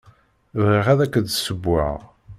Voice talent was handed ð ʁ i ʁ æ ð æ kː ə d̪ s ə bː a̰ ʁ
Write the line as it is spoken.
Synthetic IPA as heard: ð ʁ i ʁ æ ð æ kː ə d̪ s ə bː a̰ ʁ